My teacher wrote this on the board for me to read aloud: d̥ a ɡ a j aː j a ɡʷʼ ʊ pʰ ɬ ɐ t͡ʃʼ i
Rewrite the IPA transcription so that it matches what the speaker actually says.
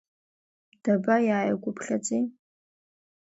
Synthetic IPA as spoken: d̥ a b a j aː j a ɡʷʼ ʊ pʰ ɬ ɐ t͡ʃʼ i